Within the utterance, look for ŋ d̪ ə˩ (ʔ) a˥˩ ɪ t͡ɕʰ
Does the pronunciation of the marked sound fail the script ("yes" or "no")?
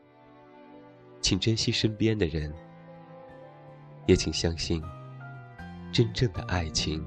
no